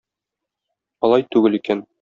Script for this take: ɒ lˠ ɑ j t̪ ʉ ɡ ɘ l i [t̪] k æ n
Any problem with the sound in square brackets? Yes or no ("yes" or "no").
yes